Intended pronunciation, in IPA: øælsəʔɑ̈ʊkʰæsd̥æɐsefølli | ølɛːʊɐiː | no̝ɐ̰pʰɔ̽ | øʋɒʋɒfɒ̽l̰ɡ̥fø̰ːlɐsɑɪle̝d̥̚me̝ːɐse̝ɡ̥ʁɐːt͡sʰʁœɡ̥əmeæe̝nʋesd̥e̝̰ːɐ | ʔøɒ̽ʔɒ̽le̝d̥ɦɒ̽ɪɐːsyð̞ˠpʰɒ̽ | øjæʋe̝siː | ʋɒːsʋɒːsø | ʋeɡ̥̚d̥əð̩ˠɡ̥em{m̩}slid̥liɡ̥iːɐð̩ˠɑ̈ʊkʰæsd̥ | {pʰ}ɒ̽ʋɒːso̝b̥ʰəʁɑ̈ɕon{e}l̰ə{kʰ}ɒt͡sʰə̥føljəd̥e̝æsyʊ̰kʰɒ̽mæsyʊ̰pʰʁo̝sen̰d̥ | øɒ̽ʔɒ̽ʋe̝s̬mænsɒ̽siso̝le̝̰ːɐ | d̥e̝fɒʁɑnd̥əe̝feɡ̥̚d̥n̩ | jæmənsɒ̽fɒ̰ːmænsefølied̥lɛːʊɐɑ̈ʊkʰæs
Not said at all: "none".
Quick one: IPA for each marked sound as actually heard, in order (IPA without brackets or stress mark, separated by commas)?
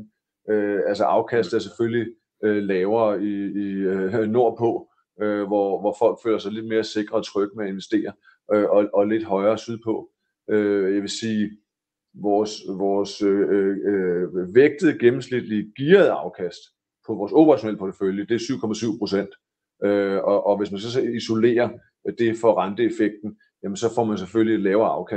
m̩, pʰ, e, pʰ